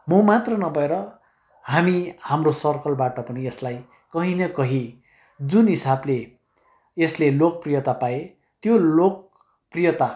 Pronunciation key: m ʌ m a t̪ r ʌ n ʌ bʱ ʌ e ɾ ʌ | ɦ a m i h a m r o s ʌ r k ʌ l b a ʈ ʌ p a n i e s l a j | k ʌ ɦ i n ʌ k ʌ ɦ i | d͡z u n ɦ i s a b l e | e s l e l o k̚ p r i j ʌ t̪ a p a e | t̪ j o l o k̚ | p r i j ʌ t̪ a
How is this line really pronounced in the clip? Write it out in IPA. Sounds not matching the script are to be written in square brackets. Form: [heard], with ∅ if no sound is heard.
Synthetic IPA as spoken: m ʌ m a t̪ r ʌ n ʌ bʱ ʌ e ɾ ʌ | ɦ a m i h a m r o s ʌ r k ʌ l b a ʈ ʌ p [ʌ] n i e s l a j | k ʌ ɦ i n ʌ k ʌ ɦ i | d͡z u n ɦ i s a b l e | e s l e l o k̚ p r i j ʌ t̪ a p a e | t̪ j o l o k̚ | p r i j ʌ t̪ a